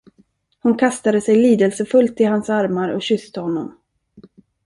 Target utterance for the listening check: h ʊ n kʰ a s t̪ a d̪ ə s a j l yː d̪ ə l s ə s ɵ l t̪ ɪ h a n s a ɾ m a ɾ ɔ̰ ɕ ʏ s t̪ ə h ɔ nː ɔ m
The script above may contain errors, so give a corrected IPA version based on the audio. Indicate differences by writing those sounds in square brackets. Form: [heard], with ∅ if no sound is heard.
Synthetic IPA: h ʊ n kʰ a s t̪ a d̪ ə s [ɛ] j l [iː] d̪ ə l s ə [f] ɵ l t̪ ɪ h a n s a ɾ m a ɾ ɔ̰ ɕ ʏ s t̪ ə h ɔ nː ɔ m